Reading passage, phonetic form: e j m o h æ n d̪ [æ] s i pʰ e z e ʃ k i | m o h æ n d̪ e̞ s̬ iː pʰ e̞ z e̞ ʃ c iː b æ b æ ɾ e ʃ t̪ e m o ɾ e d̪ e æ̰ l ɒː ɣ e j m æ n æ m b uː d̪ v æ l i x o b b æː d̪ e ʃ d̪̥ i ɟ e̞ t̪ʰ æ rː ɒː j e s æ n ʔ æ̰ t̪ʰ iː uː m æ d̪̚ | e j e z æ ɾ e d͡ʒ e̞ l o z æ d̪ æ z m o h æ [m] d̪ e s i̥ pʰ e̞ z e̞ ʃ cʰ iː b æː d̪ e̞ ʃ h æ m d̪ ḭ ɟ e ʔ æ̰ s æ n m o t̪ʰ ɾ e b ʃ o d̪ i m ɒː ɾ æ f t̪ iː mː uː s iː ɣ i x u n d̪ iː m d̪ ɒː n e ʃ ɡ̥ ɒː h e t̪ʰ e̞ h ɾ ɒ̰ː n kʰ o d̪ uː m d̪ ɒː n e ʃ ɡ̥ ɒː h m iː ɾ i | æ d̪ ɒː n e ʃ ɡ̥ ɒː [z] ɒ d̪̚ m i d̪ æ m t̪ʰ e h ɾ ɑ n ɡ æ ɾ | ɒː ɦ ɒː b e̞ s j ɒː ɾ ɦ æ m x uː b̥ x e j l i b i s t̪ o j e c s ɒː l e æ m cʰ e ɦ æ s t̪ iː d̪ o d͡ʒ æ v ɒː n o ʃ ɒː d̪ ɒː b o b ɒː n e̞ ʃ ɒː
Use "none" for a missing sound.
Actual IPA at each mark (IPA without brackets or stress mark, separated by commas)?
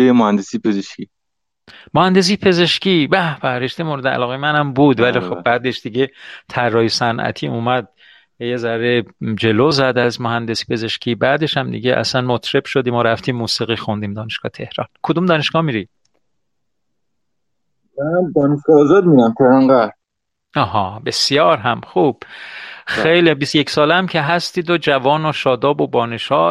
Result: e, n, z